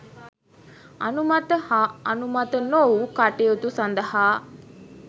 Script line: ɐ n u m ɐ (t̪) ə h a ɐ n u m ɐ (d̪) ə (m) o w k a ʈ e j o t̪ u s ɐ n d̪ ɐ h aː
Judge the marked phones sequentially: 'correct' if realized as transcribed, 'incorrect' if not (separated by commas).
correct, incorrect, incorrect